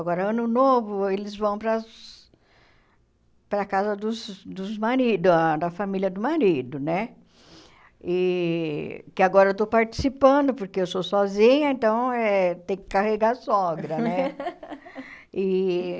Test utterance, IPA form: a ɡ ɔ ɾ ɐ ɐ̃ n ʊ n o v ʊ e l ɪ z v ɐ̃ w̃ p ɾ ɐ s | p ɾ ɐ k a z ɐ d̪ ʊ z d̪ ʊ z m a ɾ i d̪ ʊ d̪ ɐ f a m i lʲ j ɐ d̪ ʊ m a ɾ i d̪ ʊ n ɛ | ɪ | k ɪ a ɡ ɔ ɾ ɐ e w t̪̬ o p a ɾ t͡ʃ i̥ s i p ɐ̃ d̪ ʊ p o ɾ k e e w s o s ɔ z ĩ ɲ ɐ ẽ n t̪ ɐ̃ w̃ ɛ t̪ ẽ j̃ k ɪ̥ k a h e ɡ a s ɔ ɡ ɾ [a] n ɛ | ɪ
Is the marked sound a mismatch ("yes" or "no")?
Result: yes